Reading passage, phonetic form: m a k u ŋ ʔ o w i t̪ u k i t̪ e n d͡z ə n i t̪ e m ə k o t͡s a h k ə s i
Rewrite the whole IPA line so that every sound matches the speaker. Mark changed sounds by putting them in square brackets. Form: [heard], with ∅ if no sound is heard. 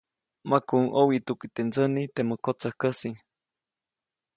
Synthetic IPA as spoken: m a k u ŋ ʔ o w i t̪ u k i t̪ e n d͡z ə n i t̪ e m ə k o t͡s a h k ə s i